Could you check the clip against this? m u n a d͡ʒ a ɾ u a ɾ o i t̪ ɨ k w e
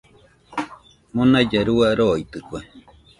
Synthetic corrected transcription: m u n a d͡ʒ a ɾ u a ɾ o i t̪ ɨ k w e